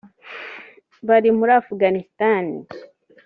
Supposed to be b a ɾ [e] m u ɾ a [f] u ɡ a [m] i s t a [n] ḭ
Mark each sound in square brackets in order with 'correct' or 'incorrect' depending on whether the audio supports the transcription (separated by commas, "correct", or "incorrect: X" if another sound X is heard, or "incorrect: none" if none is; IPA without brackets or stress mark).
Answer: incorrect: i, correct, incorrect: n, correct